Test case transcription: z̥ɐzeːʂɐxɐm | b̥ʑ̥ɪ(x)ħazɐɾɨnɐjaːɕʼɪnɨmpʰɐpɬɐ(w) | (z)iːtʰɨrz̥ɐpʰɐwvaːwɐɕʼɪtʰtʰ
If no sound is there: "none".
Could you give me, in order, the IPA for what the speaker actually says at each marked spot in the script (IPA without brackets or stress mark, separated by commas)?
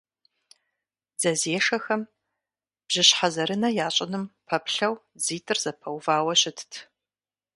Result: ɕ, w, z